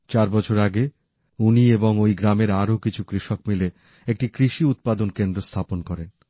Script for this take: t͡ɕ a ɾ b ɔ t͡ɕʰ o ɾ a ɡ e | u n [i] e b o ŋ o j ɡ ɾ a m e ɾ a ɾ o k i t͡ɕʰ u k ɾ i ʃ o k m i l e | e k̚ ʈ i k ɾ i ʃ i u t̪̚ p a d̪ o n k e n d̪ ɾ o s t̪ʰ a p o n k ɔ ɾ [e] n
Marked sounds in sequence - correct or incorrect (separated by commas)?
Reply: correct, correct